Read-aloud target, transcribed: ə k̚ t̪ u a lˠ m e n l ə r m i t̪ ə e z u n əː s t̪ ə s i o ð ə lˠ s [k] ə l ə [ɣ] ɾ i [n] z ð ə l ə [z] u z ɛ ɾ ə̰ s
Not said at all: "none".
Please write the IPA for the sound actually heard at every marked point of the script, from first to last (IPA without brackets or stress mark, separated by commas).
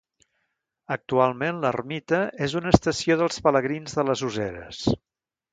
p, ɣ, n, z